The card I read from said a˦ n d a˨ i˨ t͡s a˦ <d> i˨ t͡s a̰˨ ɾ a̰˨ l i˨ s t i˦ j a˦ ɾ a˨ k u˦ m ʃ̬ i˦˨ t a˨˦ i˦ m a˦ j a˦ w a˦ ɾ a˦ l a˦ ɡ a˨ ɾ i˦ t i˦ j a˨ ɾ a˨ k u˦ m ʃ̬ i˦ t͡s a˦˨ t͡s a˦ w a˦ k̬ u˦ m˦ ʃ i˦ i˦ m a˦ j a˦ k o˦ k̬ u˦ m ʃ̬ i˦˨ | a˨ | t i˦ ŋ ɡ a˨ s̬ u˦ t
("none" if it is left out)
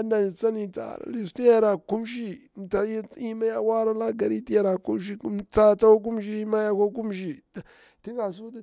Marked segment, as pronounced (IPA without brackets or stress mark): n